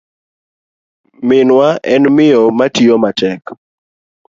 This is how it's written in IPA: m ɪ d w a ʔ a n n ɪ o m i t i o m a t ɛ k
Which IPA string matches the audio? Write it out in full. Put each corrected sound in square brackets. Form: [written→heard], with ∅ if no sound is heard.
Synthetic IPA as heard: m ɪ [d→n] w a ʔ [a→ɛ] n [n→m] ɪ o m [i→a] t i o m a t ɛ k